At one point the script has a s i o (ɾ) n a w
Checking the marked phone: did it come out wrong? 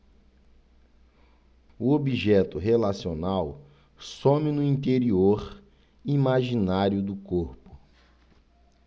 yes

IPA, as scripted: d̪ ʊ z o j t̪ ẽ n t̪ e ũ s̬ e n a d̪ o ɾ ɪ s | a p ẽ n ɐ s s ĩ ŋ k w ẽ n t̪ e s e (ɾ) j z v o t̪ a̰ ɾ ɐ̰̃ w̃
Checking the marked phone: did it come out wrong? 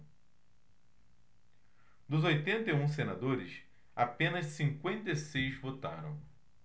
yes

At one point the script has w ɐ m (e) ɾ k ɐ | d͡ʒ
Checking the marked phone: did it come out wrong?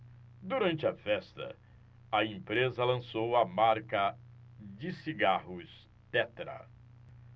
yes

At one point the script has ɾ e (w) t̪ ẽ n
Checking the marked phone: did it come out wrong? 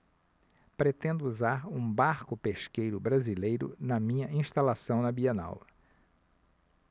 yes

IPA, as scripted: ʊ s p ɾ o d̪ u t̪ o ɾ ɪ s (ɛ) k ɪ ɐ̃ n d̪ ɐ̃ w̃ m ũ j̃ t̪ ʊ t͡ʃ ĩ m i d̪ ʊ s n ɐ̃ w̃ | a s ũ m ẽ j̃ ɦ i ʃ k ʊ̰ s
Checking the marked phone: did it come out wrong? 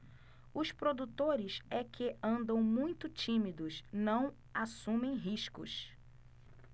no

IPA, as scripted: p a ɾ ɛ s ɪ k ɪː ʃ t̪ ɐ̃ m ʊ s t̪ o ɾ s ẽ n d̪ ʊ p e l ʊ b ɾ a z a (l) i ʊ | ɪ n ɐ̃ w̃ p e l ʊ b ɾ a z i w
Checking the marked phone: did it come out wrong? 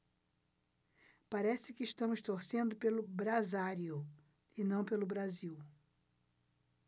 yes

